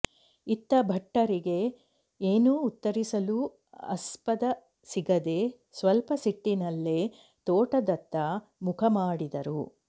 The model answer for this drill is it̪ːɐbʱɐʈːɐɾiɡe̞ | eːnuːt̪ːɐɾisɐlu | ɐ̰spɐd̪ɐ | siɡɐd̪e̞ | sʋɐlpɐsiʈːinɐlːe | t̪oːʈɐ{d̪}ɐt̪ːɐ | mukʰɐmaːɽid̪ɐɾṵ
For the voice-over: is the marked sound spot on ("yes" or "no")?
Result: yes